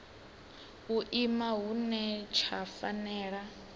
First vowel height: high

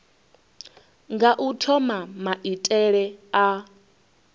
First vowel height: low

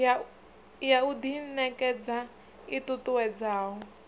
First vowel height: low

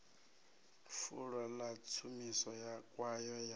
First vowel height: high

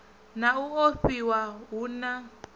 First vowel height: low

